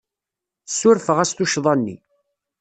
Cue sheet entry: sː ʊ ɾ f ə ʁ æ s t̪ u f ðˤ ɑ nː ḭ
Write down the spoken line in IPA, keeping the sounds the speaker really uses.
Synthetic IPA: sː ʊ ɾ f ə ʁ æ s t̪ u ʃ ðˤ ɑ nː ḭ